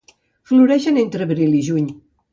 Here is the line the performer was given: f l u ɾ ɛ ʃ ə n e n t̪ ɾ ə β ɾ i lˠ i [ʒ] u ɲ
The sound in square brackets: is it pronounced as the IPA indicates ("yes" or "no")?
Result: yes